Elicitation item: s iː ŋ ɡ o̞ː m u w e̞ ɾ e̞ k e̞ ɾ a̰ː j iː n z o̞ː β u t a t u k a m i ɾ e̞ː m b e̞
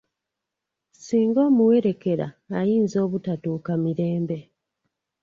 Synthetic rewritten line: s iː ŋ ɡ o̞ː m u w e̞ ɾ e̞ k e̞ ɾ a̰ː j iː n z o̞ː β u t a t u k a m i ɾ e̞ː m b e̞